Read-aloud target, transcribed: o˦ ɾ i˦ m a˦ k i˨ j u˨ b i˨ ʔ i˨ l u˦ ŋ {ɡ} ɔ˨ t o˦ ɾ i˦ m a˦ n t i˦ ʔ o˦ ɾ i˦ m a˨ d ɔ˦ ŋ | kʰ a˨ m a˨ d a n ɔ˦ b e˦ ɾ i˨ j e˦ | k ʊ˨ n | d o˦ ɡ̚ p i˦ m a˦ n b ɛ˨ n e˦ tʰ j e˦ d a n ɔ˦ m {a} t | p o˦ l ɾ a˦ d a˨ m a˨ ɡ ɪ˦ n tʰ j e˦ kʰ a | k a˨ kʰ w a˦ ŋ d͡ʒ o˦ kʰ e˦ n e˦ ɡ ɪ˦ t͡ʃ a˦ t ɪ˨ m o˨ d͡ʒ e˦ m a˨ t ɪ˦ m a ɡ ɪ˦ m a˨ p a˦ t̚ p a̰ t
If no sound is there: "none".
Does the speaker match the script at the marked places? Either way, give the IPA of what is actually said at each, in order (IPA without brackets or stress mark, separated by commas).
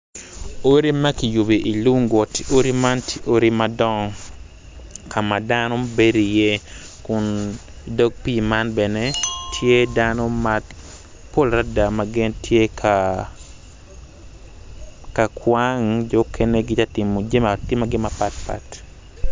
ɡ, a